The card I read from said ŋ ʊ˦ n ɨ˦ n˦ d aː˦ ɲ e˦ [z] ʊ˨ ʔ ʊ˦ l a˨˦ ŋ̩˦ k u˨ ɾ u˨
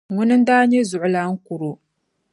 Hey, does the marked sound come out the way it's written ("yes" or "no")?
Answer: yes